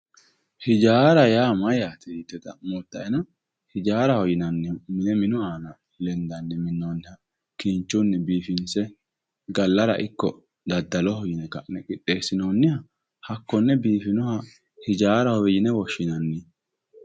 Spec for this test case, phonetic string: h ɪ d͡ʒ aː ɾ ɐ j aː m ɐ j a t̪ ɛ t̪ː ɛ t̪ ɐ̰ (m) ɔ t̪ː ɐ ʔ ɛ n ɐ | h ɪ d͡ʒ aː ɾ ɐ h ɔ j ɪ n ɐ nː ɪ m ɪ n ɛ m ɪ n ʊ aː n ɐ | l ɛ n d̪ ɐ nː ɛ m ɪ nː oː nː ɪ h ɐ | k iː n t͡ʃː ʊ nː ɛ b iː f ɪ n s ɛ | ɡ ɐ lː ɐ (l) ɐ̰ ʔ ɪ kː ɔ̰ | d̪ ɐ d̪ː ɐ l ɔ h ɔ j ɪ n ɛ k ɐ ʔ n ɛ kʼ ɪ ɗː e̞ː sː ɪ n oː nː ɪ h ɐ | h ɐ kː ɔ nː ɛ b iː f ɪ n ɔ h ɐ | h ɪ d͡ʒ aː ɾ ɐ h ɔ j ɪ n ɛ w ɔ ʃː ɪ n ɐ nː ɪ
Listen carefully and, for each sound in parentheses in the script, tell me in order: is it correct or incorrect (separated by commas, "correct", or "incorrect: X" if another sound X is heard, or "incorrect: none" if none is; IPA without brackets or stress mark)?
correct, incorrect: ɾ